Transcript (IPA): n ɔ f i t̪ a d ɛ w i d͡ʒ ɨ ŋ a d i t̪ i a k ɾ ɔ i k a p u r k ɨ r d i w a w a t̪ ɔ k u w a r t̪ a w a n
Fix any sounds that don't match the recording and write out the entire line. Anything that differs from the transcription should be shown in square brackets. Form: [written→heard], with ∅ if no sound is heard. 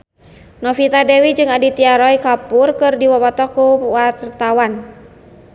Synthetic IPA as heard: n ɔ f i t̪ a d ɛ w i d͡ʒ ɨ ŋ a d i t̪ i a [k→∅] ɾ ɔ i k a p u r k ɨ r d i w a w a t̪ ɔ k u w a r t̪ a w a n